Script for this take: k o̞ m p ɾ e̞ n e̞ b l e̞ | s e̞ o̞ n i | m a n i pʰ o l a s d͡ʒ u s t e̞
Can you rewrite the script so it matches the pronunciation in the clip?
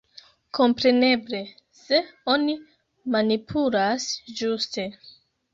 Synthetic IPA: k o̞ m p ɾ e̞ n e̞ b l e̞ | s e̞ o̞ n i | m a n i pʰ u l a s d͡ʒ u s t e̞